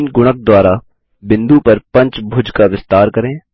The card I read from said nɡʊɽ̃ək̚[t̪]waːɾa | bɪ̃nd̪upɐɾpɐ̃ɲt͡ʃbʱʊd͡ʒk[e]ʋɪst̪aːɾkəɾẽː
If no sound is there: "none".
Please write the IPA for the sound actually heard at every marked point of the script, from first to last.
d̪, a

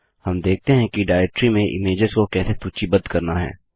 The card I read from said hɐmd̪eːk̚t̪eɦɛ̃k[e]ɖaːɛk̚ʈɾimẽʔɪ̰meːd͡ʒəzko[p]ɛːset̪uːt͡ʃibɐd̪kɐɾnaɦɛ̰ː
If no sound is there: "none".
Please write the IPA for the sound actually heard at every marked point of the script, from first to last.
i, k

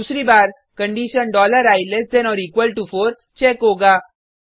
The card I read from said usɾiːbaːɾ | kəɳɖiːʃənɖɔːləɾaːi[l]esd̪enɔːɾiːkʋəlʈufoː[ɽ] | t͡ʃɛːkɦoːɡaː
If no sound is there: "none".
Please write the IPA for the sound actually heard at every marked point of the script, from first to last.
l, ɾ

